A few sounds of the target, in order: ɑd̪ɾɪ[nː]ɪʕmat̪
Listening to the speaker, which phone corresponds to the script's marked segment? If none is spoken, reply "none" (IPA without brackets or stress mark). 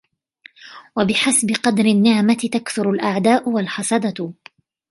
nː